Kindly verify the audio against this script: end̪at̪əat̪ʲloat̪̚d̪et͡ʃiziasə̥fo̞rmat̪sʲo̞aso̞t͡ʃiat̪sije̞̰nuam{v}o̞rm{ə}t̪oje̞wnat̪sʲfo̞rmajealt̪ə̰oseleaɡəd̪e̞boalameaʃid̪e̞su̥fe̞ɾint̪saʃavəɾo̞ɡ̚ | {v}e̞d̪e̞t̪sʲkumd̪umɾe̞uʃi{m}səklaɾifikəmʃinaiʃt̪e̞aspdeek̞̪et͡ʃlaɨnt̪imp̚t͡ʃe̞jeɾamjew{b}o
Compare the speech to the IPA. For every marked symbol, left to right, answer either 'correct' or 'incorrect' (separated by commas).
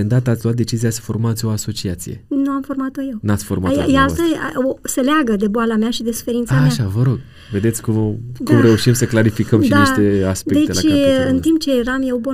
incorrect, incorrect, correct, correct, correct